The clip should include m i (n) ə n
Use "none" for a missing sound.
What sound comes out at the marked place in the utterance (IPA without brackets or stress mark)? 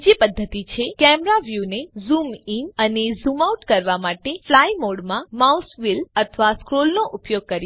n